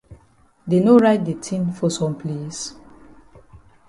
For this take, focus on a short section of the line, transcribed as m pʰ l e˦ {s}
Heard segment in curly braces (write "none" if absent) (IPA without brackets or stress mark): s